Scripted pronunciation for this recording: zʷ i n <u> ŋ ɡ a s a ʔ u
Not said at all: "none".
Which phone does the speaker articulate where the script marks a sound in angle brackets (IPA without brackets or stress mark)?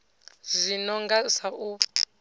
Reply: ɔ